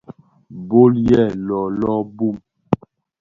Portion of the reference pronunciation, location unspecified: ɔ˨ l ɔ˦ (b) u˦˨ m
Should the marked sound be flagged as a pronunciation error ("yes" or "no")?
no